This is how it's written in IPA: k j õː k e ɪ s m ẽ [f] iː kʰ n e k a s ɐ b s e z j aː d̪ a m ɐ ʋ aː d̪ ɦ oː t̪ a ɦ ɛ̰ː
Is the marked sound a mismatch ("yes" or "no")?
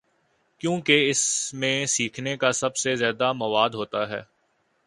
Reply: yes